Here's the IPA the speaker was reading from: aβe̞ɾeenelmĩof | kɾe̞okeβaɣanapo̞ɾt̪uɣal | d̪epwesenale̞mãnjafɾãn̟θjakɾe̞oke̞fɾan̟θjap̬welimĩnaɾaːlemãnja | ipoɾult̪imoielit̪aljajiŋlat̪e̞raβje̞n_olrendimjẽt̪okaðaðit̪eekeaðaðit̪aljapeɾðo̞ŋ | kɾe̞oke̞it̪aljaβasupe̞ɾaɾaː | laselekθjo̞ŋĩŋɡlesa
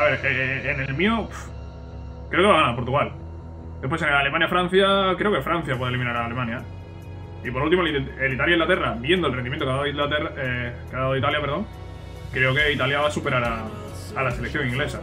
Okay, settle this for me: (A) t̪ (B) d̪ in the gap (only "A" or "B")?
B